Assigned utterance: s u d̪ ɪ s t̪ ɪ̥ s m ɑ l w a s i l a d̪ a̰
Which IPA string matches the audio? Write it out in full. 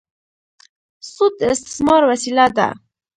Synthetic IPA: s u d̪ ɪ s t̪ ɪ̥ s m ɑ ɾ w a s i l a d̪ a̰